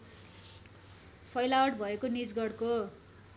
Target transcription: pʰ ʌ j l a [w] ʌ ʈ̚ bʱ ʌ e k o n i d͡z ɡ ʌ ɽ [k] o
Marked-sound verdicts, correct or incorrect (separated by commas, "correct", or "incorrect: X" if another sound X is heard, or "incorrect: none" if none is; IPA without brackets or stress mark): correct, correct